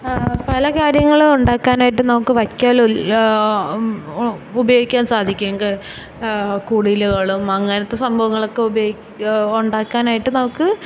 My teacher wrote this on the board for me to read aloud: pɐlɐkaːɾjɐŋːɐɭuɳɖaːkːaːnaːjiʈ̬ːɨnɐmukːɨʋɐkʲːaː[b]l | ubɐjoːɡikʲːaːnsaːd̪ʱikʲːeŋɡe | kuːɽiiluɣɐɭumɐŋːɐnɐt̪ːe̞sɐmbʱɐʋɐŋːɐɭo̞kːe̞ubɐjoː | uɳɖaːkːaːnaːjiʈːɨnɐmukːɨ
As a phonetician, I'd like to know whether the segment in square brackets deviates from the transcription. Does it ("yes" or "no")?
yes